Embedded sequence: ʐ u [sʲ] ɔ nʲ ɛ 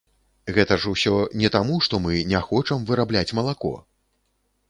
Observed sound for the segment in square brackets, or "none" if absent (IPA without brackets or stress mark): sʲ